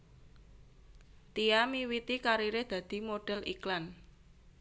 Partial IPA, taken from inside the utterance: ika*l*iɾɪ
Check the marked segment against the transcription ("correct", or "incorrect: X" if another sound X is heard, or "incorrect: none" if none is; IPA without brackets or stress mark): incorrect: ɾ